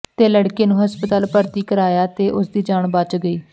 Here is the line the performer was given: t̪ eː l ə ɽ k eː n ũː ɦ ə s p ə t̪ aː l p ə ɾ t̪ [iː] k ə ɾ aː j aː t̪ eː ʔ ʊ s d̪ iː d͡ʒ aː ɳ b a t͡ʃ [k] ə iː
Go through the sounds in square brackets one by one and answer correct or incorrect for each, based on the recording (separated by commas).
correct, incorrect